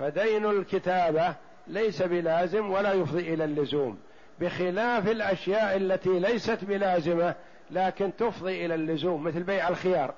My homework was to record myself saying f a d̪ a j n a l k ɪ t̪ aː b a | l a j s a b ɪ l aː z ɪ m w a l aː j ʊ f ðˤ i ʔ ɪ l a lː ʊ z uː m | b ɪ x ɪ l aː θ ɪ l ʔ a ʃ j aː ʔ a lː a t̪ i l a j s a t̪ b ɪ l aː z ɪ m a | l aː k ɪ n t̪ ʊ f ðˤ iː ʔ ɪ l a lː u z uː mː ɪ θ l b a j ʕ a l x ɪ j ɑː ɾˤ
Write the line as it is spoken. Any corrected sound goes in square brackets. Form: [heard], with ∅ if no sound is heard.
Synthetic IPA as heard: f a d̪ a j n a l k ɪ t̪ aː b a | l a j s a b ɪ l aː z ɪ m w a l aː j ʊ f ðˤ i ʔ ɪ l a lː ʊ z uː m | b ɪ x ɪ l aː [f] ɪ l ʔ a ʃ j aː ʔ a lː a t̪ i l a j s a t̪ b ɪ l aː z ɪ m a | l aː k ɪ n t̪ ʊ f ðˤ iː ʔ ɪ l a lː [ʊ] z uː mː ɪ θ l b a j ʕ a l x ɪ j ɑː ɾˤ